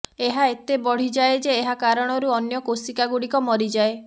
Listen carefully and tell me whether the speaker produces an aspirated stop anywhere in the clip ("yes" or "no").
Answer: no